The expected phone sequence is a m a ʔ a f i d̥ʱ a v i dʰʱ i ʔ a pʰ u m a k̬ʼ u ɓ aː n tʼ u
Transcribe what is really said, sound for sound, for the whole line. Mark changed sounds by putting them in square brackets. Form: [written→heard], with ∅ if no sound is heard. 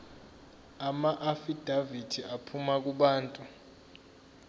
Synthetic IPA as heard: a m a ʔ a f i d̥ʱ a v i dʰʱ i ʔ a pʰ u m a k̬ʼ u ɓ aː n tʼ u